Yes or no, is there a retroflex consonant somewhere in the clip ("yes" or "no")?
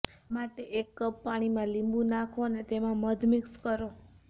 yes